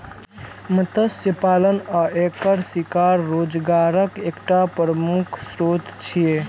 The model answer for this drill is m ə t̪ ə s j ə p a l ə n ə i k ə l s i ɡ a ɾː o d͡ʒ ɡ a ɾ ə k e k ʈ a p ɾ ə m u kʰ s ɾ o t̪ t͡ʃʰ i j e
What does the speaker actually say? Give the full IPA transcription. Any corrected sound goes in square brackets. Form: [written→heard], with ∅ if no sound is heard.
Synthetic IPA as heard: m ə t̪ ə s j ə p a l ə n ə [i→e] k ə [l→ɾ] s i [ɡ→k] a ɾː o d͡ʒ ɡ a ɾ ə k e k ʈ a p ɾ ə m u kʰ s ɾ o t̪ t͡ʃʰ i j e